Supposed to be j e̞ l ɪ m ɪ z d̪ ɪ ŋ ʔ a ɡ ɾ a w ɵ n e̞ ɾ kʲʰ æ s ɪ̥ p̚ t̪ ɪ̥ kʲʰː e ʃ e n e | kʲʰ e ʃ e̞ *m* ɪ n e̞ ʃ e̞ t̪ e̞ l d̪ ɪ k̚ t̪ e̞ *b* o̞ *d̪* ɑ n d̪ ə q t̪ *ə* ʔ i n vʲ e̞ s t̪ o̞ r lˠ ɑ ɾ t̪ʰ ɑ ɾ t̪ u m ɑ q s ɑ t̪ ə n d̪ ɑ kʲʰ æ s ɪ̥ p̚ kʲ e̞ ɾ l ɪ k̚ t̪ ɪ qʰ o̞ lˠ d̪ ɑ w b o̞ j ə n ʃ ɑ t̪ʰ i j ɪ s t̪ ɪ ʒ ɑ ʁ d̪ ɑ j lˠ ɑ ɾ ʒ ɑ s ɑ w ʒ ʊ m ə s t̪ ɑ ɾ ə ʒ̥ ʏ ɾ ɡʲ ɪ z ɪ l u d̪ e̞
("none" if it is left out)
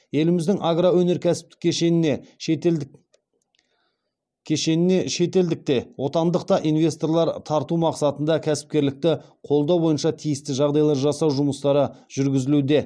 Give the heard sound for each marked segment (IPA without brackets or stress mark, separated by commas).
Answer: n, w, t̪, ɑ